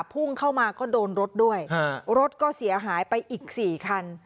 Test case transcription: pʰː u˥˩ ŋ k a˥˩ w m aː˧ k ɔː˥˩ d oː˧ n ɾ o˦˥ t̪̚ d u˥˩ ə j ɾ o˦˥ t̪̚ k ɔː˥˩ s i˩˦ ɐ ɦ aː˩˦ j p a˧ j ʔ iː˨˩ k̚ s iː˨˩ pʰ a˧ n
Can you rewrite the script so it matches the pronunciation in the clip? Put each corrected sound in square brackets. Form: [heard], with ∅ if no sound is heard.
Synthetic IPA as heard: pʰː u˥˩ ŋ [kʰ] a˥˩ w m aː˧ k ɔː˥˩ d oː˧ n ɾ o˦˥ t̪̚ d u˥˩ ə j ɾ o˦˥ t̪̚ k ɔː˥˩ s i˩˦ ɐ ɦ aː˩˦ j p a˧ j ʔ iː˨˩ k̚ s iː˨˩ [kʰ] a˧ n